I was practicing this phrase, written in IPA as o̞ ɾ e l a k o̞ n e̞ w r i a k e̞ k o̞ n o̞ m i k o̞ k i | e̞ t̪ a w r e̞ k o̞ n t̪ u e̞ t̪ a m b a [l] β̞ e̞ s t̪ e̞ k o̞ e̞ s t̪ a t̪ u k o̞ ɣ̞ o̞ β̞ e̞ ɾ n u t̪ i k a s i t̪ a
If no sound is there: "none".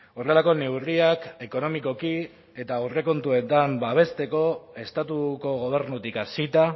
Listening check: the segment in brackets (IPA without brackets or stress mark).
none